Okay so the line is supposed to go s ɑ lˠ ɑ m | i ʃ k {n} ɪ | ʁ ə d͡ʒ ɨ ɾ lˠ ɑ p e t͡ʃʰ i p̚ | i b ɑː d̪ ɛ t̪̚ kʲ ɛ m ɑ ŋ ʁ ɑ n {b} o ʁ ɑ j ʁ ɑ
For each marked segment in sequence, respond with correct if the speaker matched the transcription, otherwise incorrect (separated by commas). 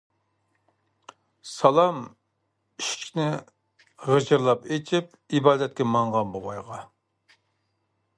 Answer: correct, correct